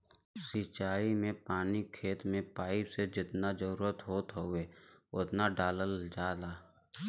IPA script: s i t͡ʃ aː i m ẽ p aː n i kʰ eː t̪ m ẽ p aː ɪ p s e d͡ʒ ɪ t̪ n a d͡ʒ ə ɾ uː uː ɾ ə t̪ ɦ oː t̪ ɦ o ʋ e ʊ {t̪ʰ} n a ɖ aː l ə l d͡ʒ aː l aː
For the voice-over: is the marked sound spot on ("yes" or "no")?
no